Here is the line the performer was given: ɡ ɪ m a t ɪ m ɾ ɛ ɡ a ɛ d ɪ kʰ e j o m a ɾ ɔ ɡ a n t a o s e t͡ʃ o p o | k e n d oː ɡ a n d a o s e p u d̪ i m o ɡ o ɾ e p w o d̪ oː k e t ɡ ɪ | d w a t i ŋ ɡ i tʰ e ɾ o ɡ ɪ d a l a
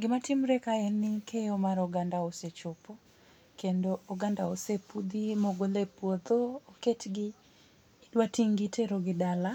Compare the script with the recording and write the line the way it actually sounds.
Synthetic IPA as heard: ɡ ɪ m a t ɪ m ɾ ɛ k a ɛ n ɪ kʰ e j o m a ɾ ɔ ɡ a n d a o s e t͡ʃ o p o | k e n d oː ɡ a n d a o s e p u d̪ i m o ɡ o l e p w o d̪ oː k e t ɡ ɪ | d w a t i ŋ ɡ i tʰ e ɾ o ɡ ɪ d a l a